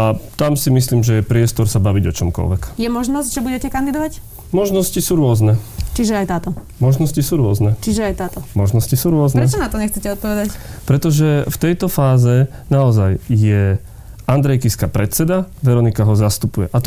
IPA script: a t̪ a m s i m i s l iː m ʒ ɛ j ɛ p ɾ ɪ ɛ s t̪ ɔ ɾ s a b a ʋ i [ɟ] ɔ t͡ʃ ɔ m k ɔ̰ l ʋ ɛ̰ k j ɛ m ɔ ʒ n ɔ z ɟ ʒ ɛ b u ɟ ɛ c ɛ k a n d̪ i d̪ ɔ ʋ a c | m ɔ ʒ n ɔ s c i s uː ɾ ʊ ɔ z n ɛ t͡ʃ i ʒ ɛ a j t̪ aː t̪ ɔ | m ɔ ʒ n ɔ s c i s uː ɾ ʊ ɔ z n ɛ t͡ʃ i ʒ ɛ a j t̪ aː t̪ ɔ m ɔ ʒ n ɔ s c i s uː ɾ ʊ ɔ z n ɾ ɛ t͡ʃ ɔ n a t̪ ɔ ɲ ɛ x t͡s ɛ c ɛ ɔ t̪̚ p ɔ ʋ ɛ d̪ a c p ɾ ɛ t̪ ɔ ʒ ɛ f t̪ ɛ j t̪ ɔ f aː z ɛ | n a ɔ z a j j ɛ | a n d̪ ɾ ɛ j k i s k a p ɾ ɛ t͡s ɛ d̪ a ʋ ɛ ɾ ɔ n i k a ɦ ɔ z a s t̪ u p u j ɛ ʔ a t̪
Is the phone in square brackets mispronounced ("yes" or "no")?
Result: no